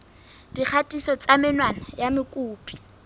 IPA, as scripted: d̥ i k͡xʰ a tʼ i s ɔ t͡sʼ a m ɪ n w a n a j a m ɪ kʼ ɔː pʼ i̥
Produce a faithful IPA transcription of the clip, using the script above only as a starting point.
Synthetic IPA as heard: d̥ i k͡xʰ a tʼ i s ɔ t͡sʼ a m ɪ n w a n a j a m ɪ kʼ uː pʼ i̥